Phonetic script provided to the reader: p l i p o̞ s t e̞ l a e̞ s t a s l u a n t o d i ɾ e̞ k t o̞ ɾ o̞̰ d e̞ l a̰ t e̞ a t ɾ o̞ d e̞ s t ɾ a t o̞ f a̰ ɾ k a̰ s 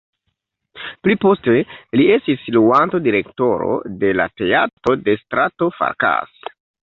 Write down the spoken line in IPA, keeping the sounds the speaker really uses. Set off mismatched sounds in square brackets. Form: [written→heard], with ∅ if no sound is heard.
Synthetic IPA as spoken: p l i p o̞ s t e̞ l [a→i] e̞ s t [a→i] s l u a n t o d i ɾ e̞ k t o̞ ɾ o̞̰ d e̞ l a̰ t e̞ a t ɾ o̞ d e̞ s t ɾ a t o̞ f a̰ ɾ k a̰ s

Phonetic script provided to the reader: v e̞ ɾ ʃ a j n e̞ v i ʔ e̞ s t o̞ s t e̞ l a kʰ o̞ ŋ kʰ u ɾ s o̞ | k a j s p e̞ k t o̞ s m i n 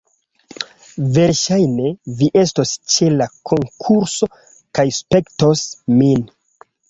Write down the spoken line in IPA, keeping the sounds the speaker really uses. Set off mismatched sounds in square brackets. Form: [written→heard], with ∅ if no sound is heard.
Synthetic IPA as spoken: v e̞ ɾ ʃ a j n e̞ v i ʔ e̞ s t o̞ s [t→t͡ʃ] e̞ l a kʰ o̞ ŋ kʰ u ɾ s o̞ | k a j s p e̞ k t o̞ s m i n

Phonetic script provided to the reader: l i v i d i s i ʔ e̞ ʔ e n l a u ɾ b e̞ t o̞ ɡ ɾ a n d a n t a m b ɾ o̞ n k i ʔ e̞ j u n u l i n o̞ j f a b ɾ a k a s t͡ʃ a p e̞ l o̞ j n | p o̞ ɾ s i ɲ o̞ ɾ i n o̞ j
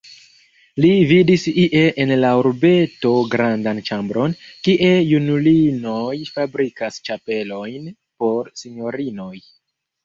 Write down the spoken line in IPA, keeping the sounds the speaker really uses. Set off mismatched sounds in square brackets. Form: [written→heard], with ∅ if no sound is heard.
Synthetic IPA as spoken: l i v i d i s i ʔ e̞ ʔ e n l a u ɾ b e̞ t o̞ ɡ ɾ a n d a n [t→t͡ʃ] a m b ɾ o̞ n k i ʔ e̞ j u n u l i n o̞ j f a b ɾ [a→i] k a s t͡ʃ a p e̞ l o̞ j n | p o̞ ɾ s i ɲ o̞ ɾ i n o̞ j

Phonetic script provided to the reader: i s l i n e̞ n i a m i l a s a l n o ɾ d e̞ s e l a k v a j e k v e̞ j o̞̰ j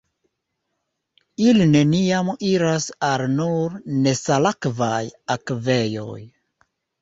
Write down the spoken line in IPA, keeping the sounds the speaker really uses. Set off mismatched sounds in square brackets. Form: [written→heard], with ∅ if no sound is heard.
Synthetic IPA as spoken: i [s→∅] l i n e̞ n i a m i [l→ɾ] a s a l n [o→u] ɾ [d→n] e̞ s [e→a] l a k v a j [e→a] k v e̞ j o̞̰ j

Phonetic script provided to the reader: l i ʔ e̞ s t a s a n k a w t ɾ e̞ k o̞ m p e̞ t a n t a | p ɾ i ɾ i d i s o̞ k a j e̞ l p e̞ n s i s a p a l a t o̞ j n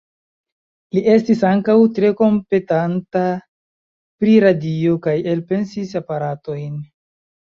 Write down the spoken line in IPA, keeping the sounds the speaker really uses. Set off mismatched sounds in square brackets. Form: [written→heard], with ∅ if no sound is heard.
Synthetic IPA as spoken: l i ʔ e̞ s t [a→i] s a [n→ŋ] k a w t ɾ e̞ k o̞ m p e̞ t a n t a | p ɾ i ɾ [i→a] d i [s→∅] o̞ k a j e̞ l p e̞ n s i s a p a [l→ɾ] a t o̞ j n

